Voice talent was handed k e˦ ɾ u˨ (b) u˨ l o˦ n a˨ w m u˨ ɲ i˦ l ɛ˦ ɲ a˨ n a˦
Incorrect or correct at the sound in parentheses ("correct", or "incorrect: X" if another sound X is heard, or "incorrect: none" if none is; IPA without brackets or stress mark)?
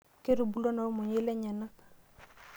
correct